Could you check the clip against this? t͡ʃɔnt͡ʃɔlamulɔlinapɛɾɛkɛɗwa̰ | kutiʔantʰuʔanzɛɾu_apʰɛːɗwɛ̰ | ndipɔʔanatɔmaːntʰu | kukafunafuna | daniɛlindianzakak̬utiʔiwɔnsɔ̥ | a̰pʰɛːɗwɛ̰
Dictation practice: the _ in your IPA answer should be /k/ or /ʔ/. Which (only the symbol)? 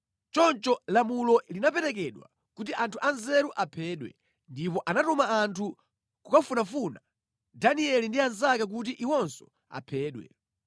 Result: ʔ